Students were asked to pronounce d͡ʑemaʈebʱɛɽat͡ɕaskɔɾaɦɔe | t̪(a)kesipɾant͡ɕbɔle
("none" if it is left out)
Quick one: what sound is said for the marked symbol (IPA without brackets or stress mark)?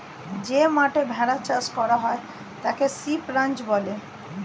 a